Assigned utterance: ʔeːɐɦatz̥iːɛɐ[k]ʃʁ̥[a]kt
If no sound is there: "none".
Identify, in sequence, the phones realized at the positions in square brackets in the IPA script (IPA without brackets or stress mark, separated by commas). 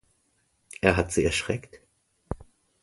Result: none, ɛ